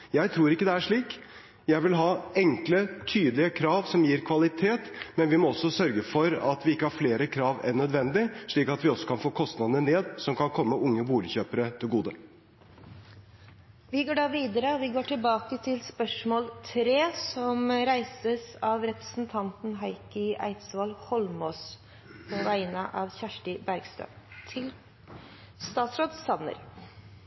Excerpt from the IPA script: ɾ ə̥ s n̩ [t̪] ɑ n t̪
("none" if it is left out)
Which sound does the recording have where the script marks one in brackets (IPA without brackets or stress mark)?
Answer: t̪ʰ